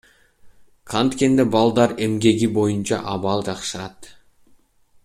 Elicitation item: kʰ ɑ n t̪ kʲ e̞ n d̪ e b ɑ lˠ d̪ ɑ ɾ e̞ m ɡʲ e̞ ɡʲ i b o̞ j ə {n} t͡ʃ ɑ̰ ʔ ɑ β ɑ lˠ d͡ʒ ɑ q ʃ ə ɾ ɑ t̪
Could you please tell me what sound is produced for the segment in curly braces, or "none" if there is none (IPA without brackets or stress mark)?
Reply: n